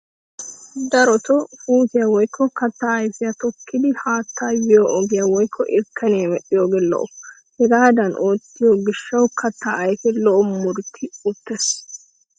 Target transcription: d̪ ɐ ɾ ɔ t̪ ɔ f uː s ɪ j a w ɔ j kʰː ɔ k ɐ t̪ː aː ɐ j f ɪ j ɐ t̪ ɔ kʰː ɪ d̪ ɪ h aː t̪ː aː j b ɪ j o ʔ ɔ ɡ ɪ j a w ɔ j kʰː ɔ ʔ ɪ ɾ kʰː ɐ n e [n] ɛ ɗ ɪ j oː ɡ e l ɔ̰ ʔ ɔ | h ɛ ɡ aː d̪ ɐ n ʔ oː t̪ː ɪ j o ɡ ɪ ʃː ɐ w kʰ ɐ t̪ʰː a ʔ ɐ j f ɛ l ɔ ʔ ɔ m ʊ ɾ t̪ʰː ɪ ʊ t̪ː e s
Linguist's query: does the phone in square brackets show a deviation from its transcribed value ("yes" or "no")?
yes